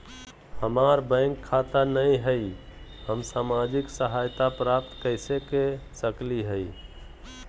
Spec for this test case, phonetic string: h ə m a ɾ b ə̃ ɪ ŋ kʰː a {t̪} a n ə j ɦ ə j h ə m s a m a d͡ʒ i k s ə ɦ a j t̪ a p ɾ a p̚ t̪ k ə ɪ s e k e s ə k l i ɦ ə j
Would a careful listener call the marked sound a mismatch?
no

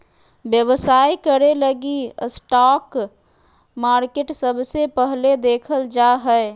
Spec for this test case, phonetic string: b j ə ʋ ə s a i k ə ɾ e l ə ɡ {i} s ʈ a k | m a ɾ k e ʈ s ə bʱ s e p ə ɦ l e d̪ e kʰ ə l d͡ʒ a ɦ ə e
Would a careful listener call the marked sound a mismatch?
no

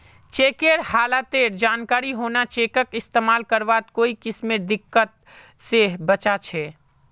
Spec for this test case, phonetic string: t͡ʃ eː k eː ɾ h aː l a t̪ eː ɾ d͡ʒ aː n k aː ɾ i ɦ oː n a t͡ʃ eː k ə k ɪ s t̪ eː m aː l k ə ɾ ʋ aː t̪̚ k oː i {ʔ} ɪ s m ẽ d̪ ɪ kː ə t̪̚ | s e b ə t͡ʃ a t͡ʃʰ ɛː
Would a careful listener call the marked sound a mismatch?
yes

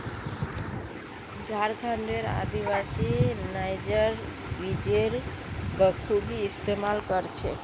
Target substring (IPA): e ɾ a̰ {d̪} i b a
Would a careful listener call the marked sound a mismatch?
no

